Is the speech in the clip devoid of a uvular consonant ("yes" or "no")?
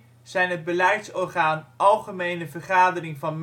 no